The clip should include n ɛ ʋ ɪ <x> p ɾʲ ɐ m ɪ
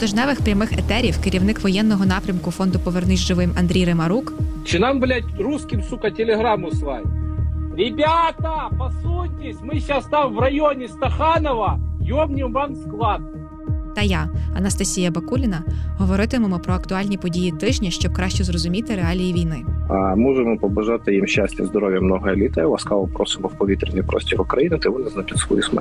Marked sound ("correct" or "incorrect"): correct